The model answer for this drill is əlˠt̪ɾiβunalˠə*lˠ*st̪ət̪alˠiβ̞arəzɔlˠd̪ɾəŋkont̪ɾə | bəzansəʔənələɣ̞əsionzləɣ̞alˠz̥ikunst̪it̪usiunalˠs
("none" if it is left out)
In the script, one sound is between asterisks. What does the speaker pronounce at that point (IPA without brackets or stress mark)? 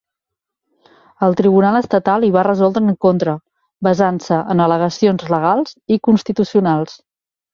none